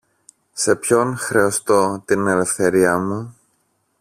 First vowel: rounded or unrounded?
unrounded